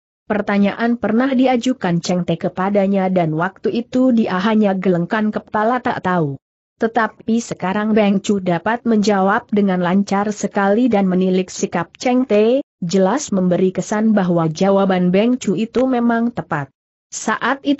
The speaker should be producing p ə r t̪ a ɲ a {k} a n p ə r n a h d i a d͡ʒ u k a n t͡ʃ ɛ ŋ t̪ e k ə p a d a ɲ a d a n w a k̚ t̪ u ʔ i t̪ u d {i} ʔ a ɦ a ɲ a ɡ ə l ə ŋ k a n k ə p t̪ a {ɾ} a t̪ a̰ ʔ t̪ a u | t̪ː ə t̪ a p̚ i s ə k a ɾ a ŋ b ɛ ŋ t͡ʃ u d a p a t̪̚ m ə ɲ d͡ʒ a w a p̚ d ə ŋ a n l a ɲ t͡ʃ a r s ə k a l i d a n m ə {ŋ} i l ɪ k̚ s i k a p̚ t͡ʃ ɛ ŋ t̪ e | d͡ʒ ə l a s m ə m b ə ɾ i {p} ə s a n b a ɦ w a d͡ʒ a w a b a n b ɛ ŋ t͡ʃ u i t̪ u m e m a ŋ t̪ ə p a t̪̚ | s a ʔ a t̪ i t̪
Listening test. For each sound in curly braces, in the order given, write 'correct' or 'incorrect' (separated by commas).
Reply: incorrect, correct, incorrect, incorrect, incorrect